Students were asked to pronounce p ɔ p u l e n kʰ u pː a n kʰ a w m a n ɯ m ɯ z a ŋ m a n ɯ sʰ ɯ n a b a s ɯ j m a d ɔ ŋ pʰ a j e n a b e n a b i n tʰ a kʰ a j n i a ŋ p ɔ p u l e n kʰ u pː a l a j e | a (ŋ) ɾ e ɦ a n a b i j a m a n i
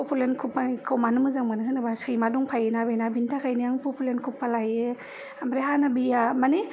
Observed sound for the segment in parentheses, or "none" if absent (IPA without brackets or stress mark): m